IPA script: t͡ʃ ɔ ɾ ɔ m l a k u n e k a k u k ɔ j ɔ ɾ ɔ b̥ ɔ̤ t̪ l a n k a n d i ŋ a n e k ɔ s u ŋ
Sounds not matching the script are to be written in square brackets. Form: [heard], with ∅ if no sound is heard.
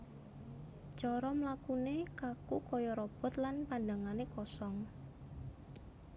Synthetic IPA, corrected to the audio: t͡ʃ ɔ ɾ ɔ m l a k u n e k a k u k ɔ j ɔ ɾ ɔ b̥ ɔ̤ t̪ l a n [p] a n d [a] ŋ a n e k ɔ s [ɔ] ŋ